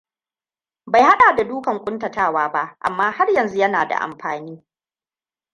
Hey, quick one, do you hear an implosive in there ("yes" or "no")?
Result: yes